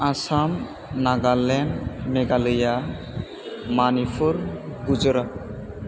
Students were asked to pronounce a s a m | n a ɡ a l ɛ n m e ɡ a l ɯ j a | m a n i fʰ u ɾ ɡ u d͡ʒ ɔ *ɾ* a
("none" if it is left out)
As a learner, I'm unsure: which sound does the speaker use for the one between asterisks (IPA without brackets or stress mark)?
ɾ